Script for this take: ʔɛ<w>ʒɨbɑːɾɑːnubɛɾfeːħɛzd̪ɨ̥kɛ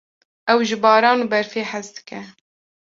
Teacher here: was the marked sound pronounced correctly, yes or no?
yes